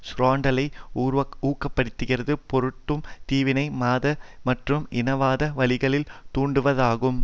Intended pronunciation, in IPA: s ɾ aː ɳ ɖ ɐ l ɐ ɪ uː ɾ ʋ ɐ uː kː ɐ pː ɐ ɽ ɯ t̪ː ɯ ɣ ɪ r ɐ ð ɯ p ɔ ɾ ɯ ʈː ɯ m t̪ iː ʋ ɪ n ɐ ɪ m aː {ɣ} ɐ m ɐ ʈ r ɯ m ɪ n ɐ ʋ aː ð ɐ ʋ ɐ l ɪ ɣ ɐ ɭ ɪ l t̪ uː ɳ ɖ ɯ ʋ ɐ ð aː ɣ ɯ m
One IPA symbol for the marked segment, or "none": ð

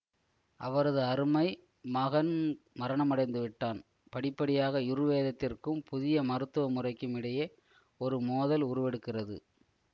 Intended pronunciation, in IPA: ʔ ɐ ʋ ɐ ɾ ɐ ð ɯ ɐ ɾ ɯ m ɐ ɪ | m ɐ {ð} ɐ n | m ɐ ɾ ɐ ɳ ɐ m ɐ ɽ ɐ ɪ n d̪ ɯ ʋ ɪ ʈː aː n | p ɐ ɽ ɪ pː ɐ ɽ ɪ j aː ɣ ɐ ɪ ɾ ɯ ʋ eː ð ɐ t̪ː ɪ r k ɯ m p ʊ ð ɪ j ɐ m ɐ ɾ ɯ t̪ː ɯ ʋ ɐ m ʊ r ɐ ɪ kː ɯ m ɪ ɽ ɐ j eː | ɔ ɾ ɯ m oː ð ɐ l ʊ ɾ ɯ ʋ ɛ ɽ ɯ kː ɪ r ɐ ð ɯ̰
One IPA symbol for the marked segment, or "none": ɣ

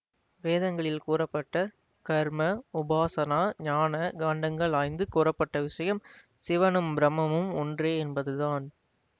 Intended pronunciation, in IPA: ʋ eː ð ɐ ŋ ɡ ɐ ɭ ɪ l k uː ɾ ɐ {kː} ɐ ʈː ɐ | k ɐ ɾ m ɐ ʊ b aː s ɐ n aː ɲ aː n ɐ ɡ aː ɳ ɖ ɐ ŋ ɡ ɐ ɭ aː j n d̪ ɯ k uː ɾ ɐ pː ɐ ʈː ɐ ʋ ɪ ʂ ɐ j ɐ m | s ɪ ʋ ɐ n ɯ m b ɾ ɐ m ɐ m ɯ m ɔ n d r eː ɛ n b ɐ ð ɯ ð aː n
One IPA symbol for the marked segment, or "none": pː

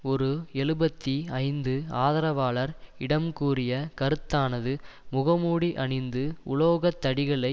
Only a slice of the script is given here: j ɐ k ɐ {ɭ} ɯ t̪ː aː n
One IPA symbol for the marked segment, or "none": ɾ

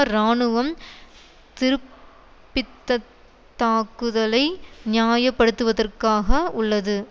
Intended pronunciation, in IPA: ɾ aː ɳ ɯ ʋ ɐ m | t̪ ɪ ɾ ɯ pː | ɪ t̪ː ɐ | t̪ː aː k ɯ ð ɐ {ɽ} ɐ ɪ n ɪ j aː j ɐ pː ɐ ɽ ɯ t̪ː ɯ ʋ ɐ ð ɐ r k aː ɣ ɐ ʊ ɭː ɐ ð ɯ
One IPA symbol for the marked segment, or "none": l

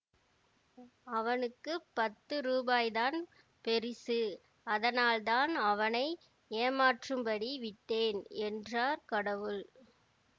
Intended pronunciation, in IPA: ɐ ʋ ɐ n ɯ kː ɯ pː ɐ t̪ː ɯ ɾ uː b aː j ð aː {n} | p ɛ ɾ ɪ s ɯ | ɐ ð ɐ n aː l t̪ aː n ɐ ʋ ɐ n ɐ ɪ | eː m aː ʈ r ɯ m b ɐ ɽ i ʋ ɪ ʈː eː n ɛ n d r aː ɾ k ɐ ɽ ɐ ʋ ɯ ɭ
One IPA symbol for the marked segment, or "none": n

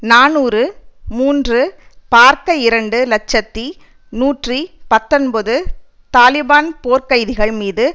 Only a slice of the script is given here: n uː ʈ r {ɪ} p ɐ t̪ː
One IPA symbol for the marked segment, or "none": i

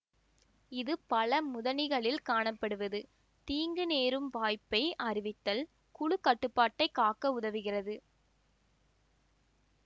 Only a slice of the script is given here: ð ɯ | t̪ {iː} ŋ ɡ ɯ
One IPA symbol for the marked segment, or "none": iː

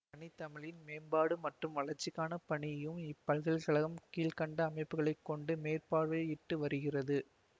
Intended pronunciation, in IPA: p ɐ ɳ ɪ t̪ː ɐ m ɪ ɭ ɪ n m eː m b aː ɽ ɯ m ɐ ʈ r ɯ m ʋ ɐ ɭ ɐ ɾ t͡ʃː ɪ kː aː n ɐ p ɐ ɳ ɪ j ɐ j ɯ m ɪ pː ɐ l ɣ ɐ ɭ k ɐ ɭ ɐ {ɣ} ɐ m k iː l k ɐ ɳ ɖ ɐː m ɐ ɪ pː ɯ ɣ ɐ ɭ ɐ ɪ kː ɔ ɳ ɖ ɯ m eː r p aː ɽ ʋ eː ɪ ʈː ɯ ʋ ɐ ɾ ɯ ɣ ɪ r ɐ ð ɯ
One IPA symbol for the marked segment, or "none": ɣ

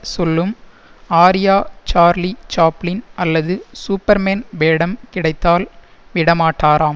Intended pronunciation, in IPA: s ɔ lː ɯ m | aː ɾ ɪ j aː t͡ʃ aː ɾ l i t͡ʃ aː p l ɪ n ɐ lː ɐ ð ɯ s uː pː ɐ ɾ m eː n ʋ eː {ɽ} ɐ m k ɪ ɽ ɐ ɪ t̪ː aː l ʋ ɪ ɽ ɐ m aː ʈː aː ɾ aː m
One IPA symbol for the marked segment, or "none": ɽ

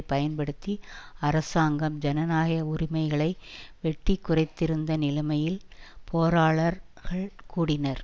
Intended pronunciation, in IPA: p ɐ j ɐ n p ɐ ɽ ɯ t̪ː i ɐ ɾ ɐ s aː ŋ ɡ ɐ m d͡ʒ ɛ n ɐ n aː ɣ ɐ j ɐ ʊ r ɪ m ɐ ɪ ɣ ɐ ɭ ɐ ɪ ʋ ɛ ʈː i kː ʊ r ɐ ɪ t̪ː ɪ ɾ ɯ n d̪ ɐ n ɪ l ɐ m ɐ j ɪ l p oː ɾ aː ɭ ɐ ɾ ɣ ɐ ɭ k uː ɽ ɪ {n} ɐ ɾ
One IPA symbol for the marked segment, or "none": n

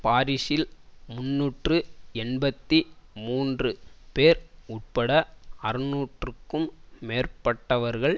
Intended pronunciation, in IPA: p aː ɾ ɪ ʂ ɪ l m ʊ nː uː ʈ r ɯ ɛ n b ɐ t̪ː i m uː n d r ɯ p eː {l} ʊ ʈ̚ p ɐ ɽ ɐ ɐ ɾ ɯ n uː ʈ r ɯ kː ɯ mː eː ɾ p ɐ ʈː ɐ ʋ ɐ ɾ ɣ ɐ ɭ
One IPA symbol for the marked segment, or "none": ɾ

